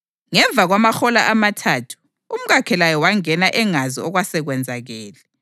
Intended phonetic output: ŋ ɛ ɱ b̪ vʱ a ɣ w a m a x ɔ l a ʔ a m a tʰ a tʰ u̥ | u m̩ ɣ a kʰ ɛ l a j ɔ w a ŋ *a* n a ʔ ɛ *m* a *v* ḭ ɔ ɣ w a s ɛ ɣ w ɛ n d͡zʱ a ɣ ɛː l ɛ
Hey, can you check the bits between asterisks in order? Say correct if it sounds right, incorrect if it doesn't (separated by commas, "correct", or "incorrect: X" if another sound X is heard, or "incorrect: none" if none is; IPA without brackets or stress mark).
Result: incorrect: ɛ, incorrect: ŋ, incorrect: z